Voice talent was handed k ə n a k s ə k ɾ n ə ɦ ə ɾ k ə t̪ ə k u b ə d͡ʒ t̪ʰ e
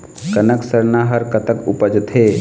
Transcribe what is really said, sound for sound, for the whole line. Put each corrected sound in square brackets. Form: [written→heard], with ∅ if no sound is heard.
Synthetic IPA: k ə n [a→ə] k s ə [k→∅] ɾ n [ə→a] ɦ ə ɾ k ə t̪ ə k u [b→p] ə d͡ʒ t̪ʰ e